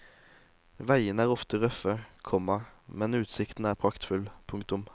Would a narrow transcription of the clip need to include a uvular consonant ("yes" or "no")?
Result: yes